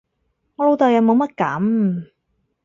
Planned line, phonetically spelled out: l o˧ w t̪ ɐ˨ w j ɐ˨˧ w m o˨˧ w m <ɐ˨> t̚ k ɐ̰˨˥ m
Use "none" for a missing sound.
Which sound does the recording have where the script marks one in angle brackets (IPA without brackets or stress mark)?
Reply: ɐ˥